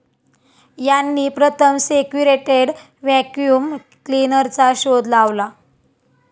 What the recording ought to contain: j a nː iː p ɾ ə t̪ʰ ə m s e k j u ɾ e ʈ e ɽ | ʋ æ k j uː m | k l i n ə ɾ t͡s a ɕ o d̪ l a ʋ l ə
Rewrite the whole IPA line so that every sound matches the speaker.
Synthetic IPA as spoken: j a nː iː p ɾ ə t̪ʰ ə m s e k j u ɾ e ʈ e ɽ | ʋ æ k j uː m | k l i n ə ɾ t͡s a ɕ o d̪ l a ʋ l a